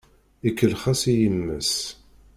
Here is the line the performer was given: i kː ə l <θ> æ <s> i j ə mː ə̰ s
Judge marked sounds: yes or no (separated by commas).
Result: no, yes